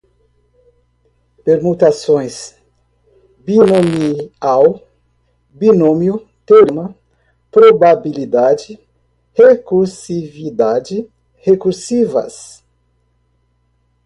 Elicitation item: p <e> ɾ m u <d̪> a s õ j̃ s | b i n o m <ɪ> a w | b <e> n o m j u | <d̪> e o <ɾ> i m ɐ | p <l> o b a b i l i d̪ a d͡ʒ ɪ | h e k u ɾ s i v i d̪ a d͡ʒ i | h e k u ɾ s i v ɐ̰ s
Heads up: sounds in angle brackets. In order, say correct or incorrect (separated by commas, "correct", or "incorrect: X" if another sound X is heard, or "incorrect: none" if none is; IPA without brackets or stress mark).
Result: correct, incorrect: t̪, incorrect: i, incorrect: i, incorrect: t̪, correct, incorrect: ɾ